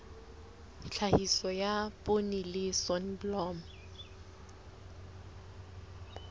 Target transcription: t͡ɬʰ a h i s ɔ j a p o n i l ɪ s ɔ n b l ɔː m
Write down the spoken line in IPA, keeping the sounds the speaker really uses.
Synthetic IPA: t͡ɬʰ a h i s ɔ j a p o n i l ɪ s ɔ n b l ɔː m